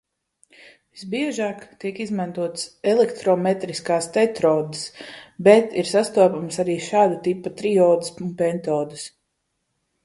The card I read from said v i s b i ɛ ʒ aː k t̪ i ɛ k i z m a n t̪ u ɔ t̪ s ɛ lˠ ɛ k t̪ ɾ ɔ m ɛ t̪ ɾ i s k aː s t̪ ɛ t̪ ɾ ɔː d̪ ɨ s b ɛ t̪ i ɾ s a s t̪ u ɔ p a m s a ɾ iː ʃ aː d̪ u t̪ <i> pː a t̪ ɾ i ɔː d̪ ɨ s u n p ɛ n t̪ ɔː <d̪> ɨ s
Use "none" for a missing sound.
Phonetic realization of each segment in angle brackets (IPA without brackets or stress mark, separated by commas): i, d̪